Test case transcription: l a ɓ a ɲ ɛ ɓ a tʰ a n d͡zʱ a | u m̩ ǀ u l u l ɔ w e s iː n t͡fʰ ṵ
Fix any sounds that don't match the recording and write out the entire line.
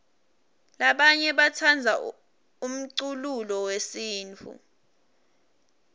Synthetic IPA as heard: l a ɓ a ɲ ɛ ɓ a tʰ a n d͡zʱ a | u m̩ ǀ u l u l ɔ w e s iː n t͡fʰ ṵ